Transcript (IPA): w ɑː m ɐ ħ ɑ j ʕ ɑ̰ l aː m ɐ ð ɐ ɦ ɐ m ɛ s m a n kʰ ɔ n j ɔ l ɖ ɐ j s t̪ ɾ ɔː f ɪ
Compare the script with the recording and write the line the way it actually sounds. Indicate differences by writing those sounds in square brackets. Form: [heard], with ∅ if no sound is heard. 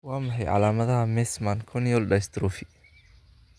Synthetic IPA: w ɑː m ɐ ħ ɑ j ʕ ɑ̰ l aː m ɐ ð ɐ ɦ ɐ m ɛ s m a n kʰ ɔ n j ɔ l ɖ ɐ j s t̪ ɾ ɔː f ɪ